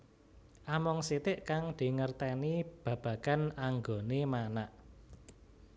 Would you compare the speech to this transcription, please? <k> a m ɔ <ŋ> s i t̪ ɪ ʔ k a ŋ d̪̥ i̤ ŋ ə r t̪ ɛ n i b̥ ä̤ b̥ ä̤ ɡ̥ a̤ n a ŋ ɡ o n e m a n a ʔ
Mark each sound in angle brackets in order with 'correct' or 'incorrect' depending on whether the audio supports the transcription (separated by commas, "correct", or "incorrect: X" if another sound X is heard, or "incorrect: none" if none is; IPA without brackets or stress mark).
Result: incorrect: ʔ, correct